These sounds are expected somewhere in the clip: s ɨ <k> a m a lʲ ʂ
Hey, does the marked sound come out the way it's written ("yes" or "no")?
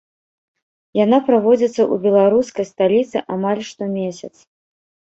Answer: no